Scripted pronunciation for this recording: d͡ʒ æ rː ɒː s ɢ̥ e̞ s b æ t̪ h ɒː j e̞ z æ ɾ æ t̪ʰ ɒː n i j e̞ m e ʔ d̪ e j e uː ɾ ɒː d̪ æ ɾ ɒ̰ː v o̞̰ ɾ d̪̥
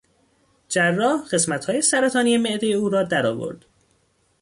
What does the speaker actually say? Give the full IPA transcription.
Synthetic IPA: d͡ʒ æ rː ɒː h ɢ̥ e̞ s m æ t̪ h ɒː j e̞ s æ ɾ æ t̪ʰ ɒː n i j e̞ m e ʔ d̪ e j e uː ɾ ɒː d̪ æ ɾ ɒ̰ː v o̞̰ ɾ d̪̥